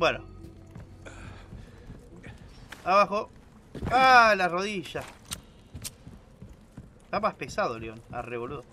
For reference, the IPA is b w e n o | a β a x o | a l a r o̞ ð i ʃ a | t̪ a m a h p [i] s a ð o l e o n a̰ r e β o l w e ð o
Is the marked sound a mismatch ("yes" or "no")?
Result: yes